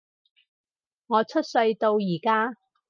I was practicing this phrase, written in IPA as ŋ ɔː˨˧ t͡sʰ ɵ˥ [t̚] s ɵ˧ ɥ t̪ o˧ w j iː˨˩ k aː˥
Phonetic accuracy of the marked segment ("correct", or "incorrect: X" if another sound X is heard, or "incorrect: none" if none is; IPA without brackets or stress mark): correct